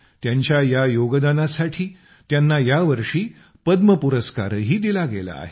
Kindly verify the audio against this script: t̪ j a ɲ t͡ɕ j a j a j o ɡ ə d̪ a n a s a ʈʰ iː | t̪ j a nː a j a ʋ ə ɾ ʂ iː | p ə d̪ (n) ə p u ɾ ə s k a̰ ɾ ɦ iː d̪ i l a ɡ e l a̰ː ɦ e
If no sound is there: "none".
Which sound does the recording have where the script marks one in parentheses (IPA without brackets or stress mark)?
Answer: m